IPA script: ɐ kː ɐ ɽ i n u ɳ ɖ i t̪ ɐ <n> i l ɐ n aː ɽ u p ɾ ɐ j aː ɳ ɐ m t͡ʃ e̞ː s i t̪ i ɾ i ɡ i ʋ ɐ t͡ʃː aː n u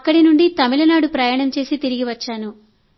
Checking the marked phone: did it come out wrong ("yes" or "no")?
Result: yes